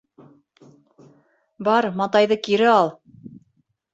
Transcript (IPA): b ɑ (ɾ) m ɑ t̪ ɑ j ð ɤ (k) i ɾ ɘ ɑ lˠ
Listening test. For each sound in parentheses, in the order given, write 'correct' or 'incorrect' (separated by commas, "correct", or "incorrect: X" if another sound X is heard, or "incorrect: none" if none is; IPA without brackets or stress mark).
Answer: correct, correct